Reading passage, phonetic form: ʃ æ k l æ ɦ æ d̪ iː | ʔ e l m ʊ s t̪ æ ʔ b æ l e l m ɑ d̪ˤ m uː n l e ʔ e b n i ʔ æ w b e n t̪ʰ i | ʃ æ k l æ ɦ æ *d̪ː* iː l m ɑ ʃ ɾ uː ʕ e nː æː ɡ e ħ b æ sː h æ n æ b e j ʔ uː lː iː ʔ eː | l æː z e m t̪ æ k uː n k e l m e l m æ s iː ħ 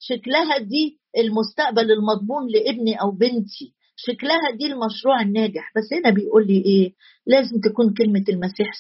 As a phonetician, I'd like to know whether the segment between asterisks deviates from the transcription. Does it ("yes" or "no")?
yes